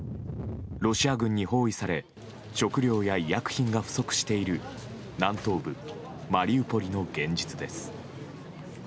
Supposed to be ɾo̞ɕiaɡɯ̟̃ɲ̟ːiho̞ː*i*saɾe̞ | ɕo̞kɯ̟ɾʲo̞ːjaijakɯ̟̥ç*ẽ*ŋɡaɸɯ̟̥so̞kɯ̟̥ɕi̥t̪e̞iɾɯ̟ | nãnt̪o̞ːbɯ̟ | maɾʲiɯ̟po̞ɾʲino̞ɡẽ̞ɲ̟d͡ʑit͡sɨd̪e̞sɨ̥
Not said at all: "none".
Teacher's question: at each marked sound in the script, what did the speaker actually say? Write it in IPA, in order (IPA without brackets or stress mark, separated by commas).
i, ĩ